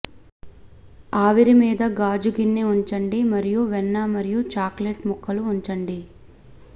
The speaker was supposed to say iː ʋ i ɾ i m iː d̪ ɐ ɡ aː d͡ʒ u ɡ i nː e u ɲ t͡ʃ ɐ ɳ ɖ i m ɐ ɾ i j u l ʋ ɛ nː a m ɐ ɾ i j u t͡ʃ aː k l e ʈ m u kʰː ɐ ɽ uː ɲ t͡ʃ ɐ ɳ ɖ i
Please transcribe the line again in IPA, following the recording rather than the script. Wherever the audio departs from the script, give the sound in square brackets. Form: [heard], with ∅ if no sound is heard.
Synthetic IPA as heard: [aː] ʋ i ɾ i m iː d̪ ɐ ɡ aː d͡ʒ u ɡ i nː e u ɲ t͡ʃ ɐ ɳ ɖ i m ɐ ɾ i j u [∅] ʋ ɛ nː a m ɐ ɾ i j u t͡ʃ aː k l e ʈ m u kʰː ɐ [l] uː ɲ t͡ʃ ɐ ɳ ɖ i